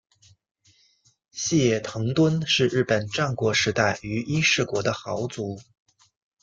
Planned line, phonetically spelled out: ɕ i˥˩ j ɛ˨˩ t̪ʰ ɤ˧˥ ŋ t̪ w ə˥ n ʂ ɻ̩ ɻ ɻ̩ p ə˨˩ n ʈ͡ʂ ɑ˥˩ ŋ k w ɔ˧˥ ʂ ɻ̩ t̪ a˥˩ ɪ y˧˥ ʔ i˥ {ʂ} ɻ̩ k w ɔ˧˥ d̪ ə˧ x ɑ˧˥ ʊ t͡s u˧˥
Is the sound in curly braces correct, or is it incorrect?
correct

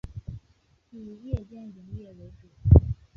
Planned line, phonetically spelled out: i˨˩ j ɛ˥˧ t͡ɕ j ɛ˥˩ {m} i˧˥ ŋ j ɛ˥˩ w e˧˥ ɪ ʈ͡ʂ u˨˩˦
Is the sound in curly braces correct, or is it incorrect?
incorrect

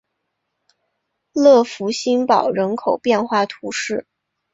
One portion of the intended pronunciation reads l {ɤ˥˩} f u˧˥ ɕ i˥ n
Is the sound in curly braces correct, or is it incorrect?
correct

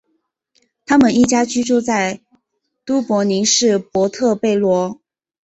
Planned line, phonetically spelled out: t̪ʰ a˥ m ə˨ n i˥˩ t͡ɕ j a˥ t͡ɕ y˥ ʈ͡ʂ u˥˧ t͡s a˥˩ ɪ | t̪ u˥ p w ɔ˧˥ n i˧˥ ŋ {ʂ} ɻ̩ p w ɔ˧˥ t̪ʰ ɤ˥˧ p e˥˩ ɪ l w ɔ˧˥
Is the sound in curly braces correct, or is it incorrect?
correct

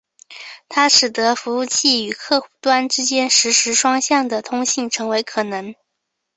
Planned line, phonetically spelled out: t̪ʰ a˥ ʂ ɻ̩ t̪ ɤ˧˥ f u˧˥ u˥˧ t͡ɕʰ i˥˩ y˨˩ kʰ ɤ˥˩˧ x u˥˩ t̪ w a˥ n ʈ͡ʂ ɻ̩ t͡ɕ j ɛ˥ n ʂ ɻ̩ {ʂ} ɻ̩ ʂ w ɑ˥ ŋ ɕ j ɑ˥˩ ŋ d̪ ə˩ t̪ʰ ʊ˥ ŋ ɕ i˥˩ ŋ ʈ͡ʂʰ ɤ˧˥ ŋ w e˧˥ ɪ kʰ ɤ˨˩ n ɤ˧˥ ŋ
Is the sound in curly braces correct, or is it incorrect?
correct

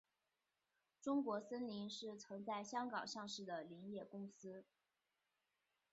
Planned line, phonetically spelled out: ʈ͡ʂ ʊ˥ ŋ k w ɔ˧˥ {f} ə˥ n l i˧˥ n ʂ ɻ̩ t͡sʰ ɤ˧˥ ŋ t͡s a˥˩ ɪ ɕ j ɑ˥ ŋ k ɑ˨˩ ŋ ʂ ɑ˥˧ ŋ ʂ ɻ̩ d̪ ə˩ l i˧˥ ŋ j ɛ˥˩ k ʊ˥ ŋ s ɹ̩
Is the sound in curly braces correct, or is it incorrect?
incorrect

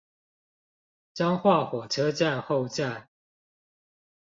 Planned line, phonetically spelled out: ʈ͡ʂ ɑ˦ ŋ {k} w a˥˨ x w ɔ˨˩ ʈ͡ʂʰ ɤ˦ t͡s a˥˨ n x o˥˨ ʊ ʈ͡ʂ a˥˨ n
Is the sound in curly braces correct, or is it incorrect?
incorrect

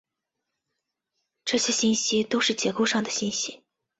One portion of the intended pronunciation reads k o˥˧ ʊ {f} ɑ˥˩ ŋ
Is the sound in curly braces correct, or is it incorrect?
incorrect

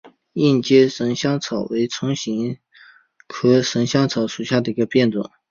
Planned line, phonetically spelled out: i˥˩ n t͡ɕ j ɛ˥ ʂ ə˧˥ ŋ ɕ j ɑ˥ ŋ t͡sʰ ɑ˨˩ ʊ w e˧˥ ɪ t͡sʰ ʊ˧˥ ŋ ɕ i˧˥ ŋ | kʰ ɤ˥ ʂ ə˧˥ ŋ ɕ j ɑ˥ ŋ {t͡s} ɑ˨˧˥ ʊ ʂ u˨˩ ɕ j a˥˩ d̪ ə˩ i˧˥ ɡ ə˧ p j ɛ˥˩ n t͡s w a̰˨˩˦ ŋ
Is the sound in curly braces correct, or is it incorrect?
incorrect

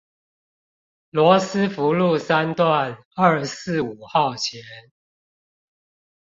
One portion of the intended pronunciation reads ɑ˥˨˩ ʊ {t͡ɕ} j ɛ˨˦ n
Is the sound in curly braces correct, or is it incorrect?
incorrect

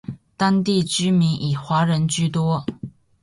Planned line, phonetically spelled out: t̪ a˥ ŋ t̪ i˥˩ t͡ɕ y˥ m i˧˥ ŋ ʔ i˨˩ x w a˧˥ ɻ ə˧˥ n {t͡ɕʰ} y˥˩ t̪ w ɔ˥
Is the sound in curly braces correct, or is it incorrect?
incorrect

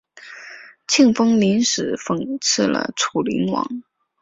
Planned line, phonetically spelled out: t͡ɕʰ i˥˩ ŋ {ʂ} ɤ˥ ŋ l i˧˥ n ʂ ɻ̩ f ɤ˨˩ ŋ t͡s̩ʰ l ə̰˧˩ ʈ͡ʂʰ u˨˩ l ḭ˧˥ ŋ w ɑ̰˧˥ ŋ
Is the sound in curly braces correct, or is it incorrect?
incorrect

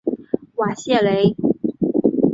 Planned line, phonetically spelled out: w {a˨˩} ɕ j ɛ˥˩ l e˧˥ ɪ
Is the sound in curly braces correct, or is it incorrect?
correct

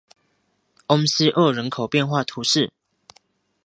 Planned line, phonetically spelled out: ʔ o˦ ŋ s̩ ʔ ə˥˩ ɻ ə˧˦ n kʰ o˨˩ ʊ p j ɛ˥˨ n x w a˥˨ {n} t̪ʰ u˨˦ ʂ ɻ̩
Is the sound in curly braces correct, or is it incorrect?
incorrect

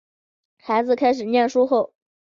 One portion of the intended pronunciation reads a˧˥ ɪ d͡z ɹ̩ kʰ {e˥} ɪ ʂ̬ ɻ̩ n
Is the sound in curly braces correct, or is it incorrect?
incorrect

